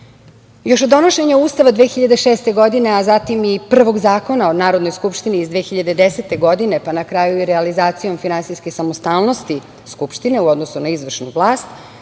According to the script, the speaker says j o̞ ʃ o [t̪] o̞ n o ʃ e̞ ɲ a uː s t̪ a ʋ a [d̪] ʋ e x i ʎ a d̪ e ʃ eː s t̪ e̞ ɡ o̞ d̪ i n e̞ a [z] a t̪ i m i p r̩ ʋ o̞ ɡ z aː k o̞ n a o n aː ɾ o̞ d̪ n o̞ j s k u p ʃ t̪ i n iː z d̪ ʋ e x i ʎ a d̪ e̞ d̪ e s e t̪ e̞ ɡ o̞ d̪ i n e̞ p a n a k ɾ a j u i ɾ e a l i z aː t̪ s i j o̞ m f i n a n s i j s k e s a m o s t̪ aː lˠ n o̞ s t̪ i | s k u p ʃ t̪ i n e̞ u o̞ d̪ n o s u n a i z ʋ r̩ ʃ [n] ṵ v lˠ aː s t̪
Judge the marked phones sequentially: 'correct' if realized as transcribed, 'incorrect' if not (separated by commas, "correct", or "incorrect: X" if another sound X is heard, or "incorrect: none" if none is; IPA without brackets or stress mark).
incorrect: d̪, correct, correct, correct